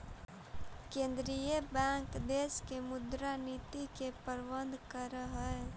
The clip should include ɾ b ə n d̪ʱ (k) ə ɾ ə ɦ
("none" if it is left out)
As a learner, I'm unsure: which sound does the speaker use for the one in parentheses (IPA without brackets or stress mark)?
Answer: k